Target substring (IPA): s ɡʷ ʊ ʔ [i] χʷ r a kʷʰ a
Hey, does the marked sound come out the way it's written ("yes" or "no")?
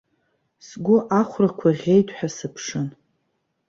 no